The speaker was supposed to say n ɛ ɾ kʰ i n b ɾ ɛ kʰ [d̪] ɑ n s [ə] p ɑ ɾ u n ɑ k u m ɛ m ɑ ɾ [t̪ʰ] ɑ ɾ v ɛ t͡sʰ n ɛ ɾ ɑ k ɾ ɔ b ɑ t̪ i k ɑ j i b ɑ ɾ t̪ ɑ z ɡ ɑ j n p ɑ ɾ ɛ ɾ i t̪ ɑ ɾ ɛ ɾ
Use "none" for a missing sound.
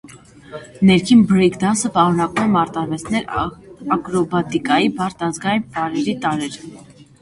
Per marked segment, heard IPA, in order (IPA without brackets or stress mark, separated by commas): d̪, ə, t̪